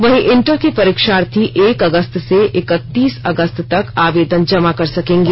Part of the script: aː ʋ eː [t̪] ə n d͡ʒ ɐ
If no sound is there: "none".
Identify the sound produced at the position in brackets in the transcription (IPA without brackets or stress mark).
d̪